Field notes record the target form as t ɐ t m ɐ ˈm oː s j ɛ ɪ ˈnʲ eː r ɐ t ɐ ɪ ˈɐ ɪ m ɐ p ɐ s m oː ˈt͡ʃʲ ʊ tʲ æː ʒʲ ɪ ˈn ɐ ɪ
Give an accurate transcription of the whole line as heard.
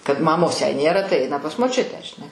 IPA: k ɐ t m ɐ ˈm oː s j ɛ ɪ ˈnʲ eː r ɐ t ɐ ɪ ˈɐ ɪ n ɐ p ɐ s m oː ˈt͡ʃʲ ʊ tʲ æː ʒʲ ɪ ˈn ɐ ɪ